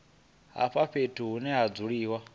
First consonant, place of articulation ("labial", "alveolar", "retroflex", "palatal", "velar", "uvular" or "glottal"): glottal